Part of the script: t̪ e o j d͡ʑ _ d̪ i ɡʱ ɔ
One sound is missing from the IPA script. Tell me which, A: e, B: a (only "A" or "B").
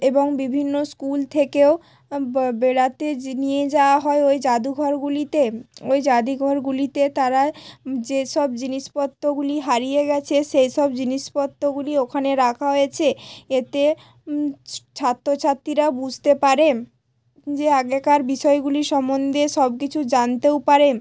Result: B